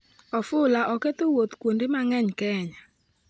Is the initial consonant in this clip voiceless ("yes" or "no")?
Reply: yes